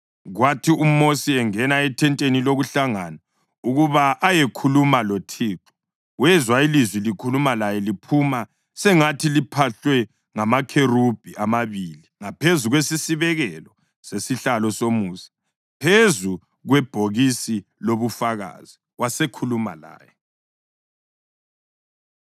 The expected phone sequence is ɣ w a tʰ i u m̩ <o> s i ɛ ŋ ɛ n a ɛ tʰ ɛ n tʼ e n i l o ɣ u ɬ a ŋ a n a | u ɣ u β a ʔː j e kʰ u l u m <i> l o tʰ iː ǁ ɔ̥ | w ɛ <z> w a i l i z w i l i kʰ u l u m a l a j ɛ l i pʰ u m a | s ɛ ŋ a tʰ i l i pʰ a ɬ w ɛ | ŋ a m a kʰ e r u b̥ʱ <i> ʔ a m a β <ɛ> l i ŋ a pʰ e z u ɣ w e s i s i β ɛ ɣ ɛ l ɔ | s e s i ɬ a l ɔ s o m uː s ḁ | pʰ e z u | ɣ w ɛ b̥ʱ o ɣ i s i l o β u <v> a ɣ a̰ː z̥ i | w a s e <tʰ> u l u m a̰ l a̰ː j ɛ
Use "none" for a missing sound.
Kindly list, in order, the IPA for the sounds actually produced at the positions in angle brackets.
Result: o, a, z, i, i, f, kʰ

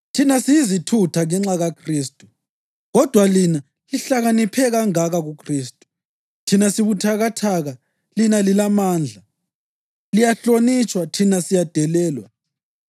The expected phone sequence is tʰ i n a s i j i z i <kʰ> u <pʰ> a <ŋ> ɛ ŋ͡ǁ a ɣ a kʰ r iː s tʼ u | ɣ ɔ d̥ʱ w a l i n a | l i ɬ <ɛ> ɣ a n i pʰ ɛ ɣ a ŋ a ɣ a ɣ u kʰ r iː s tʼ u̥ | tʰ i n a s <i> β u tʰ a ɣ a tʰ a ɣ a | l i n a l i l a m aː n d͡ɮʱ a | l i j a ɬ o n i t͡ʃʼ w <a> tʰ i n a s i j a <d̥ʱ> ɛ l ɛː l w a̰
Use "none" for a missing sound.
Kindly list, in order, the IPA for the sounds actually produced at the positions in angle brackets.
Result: tʰ, tʰ, ŋ, a, i, a, d̥ʱ

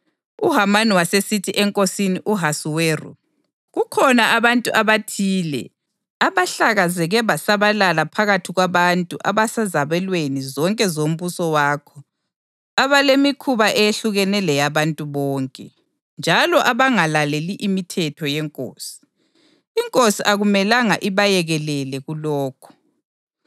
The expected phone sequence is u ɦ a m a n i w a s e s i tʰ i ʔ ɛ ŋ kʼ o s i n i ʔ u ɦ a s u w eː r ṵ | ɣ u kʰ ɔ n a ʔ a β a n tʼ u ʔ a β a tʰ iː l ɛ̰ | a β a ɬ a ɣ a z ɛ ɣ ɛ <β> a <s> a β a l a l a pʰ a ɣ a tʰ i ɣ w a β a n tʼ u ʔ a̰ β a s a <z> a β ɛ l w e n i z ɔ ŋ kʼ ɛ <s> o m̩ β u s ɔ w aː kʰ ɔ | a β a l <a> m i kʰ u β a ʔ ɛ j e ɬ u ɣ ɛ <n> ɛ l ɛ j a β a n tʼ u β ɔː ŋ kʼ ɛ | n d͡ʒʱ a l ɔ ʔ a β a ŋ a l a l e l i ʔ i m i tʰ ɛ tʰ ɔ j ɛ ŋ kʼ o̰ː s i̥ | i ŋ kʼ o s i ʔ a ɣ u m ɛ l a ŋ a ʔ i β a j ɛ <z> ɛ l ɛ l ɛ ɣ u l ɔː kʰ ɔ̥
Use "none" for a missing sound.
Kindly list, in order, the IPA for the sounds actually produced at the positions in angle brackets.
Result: β, s, z, z, e, n, ɣ

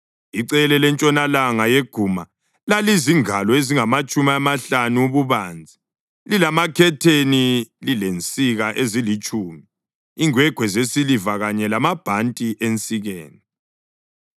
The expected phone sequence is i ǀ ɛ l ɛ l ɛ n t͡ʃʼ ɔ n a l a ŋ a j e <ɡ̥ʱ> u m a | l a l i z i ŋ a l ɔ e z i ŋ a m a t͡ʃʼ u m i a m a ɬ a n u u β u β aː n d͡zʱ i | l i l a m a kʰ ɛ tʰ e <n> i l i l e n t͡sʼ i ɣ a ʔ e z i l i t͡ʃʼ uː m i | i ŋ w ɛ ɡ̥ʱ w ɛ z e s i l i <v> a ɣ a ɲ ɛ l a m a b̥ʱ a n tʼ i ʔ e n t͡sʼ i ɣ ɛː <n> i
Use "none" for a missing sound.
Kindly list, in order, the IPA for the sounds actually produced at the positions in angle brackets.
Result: ɡ̥ʱ, n, v, n

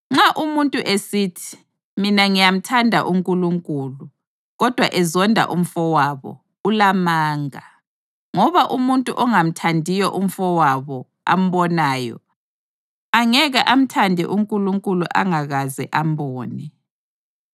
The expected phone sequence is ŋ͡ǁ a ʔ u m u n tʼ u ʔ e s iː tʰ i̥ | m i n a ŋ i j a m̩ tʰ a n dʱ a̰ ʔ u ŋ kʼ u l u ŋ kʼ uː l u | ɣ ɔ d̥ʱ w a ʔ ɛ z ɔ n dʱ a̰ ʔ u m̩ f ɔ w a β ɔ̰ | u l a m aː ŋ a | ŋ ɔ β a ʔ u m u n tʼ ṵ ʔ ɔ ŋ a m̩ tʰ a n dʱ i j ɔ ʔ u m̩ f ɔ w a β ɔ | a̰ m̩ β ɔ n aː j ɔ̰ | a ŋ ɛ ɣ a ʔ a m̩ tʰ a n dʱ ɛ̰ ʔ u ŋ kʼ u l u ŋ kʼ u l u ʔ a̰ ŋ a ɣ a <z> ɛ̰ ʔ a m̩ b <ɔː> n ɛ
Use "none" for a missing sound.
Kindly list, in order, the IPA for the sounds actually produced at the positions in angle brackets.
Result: z, ɔː

